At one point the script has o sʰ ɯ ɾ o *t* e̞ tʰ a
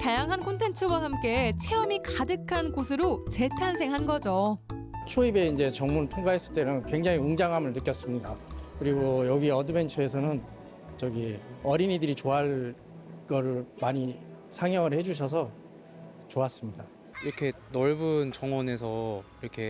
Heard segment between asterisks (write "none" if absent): t͡ɕ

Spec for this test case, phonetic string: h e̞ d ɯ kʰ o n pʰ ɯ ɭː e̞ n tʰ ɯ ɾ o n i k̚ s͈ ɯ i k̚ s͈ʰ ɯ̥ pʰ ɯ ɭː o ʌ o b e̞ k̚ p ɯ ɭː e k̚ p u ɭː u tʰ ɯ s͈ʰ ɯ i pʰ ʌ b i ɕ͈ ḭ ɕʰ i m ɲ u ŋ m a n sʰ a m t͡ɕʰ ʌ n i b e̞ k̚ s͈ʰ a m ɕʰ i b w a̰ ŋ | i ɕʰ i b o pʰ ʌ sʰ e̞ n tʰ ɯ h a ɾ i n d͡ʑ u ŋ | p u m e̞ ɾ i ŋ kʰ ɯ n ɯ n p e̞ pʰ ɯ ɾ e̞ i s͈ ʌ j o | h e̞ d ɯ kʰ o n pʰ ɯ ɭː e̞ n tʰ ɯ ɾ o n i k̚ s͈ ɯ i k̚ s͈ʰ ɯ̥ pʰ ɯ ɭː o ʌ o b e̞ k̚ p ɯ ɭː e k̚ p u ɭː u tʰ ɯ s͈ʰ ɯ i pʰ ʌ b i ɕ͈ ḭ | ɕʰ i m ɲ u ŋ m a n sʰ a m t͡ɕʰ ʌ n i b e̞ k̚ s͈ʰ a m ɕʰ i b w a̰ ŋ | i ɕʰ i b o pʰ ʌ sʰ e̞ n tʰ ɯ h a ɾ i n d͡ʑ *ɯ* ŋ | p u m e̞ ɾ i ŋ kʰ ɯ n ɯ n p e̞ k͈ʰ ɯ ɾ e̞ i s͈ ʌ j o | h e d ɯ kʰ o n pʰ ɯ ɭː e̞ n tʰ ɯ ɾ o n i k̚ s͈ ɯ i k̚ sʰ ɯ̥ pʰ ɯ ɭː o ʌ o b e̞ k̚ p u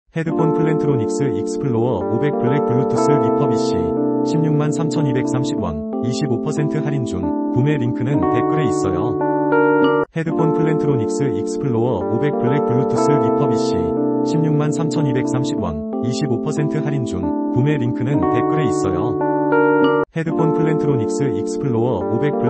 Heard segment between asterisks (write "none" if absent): u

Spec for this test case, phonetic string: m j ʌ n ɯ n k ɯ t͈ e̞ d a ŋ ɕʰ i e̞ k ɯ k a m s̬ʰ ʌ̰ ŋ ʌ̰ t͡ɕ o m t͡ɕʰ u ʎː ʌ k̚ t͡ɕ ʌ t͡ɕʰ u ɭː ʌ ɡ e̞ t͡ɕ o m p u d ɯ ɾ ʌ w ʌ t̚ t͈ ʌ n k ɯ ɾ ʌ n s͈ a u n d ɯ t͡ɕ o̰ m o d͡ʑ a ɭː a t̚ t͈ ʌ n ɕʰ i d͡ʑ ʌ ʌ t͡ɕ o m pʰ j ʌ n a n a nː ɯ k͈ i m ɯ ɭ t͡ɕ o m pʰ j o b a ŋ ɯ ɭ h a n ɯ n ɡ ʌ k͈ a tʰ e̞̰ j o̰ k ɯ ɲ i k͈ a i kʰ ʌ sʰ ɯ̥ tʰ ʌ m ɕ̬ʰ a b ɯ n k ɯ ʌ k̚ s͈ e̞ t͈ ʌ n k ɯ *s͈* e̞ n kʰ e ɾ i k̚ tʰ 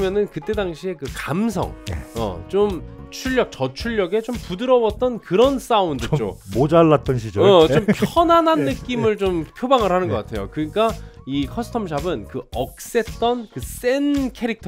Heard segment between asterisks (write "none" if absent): s͈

